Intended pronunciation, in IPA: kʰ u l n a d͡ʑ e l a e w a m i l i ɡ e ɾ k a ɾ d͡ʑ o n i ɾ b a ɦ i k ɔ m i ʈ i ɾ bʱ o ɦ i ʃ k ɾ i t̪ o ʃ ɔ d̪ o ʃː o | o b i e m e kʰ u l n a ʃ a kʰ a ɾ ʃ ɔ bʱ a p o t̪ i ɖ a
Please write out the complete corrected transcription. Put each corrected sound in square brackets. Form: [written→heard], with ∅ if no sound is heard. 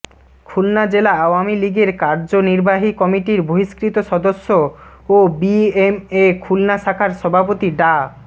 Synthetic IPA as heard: kʰ u l n a d͡ʑ e l a [e→a] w a m i l i ɡ e ɾ k a ɾ d͡ʑ o n i ɾ b a ɦ i k ɔ m i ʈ i ɾ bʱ o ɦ i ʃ k ɾ i t̪ o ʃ ɔ d̪ o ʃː o | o b i e m e kʰ u l n a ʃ a kʰ a ɾ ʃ ɔ bʱ a p o t̪ i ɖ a